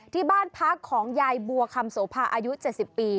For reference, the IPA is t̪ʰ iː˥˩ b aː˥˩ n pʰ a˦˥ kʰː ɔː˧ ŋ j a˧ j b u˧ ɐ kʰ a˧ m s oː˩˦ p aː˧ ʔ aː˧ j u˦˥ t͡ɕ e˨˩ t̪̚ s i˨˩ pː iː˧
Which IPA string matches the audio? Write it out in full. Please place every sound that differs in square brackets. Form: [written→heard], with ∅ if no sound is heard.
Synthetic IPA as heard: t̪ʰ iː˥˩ b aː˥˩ n pʰ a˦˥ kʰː [ɔː˧→ɔː˩˦] ŋ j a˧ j b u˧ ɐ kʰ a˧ m s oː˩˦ [p→pʰ] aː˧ ʔ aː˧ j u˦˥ t͡ɕ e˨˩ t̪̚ s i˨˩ pː iː˧